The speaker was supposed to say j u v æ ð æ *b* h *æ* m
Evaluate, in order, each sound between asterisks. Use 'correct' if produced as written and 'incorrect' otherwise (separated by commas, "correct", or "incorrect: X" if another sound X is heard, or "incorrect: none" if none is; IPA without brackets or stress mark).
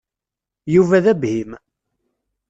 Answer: correct, incorrect: i